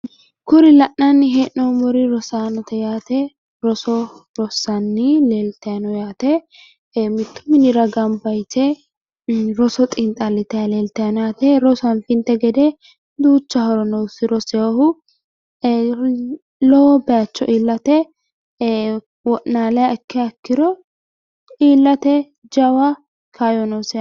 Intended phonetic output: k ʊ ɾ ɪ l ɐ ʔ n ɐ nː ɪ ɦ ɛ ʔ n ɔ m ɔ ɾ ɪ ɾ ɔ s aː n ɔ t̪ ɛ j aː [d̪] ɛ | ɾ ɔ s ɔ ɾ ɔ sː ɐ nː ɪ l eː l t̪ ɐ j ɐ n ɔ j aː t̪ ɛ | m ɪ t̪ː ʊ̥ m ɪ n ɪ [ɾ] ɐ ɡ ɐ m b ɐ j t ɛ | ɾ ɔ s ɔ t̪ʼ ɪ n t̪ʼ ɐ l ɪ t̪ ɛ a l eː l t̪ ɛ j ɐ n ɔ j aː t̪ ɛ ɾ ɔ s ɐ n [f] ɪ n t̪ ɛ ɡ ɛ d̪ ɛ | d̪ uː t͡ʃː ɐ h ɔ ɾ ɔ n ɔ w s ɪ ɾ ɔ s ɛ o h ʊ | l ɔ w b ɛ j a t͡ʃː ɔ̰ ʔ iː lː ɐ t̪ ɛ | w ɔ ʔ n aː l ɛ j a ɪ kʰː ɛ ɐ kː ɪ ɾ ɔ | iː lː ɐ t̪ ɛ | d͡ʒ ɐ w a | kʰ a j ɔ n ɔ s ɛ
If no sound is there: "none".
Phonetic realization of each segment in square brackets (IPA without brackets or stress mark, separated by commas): t̪, ɾ, f